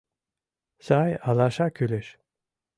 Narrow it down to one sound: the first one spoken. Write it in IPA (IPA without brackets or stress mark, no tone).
s